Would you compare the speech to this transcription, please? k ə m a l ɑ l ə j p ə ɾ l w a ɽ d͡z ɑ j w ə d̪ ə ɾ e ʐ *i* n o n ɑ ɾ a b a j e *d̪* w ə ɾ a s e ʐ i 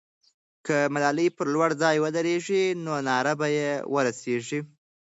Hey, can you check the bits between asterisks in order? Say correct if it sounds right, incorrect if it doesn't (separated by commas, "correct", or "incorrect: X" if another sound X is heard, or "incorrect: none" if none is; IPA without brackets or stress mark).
correct, incorrect: none